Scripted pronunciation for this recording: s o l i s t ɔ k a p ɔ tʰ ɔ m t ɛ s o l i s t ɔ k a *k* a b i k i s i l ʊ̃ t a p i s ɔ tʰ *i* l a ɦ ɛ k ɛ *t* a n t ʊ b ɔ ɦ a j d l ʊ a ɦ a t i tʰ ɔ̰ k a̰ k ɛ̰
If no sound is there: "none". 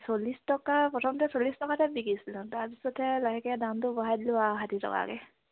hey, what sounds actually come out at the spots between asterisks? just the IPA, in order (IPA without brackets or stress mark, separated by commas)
t, ɛ, d